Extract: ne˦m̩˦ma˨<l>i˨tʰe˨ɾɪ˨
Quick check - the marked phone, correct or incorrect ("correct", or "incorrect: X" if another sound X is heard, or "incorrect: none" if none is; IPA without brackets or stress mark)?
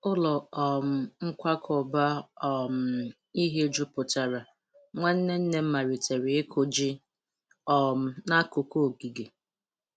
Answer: incorrect: ɾ